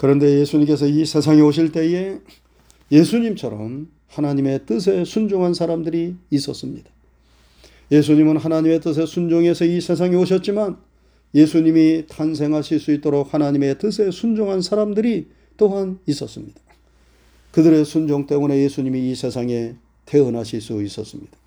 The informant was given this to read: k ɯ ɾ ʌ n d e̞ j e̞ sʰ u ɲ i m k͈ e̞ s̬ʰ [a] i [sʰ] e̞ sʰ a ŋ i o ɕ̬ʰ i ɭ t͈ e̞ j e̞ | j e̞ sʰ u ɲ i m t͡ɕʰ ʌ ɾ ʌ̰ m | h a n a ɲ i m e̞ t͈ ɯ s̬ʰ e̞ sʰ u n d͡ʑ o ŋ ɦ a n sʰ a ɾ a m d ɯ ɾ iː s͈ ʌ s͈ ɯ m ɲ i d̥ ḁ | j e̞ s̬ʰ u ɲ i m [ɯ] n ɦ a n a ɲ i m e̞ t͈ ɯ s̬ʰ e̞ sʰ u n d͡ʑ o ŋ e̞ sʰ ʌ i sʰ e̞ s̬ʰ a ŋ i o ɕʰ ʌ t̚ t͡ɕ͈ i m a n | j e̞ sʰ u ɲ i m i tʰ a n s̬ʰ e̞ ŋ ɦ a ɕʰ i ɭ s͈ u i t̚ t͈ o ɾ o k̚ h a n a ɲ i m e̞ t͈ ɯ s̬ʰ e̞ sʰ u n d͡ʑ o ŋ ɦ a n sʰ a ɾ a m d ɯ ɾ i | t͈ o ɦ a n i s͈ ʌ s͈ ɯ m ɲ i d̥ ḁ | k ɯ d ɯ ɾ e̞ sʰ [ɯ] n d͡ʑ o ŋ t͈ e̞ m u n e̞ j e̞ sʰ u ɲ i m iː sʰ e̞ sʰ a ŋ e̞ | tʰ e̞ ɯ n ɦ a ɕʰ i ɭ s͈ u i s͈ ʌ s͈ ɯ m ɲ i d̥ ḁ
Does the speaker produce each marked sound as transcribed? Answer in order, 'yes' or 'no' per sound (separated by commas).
no, yes, yes, no